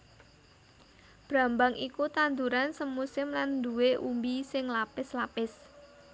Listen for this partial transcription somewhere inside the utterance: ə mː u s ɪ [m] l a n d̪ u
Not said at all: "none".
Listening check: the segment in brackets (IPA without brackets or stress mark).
m